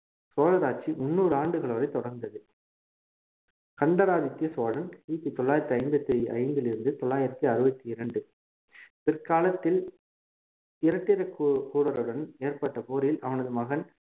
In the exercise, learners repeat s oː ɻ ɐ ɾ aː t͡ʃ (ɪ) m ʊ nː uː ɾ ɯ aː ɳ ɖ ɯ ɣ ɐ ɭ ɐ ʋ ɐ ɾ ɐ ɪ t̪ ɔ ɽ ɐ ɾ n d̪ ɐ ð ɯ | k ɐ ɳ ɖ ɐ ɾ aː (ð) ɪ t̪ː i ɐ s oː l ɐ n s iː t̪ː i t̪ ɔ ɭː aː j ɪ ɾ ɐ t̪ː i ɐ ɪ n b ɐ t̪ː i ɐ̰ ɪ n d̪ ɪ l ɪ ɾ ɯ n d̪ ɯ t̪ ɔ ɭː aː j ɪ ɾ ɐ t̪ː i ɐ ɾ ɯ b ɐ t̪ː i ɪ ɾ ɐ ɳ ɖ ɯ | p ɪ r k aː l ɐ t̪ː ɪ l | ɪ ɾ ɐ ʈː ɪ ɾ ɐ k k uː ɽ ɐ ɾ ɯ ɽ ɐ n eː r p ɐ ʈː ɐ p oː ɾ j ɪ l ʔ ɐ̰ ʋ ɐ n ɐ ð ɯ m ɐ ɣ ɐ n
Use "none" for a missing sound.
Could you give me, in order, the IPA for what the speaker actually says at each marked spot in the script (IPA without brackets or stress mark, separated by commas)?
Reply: i, ð